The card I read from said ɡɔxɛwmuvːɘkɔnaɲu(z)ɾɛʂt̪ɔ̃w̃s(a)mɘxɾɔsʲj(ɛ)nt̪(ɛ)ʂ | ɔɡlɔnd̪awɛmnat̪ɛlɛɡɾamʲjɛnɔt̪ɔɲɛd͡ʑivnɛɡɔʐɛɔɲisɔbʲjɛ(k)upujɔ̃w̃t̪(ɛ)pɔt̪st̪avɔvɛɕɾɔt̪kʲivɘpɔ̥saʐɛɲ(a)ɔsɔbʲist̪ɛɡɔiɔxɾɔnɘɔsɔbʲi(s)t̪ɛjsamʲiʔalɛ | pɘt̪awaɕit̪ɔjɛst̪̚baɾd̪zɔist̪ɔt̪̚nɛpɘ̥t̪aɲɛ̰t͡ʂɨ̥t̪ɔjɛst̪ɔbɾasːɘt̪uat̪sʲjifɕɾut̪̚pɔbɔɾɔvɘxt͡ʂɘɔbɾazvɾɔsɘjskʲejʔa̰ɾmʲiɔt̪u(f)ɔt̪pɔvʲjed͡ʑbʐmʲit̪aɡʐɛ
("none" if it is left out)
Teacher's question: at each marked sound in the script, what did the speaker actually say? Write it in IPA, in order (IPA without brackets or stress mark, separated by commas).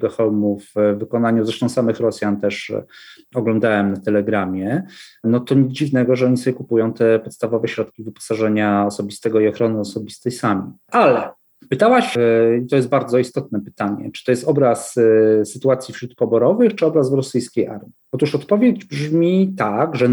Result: z, a, a, ɛ, k, ɛ, a, s, ʂ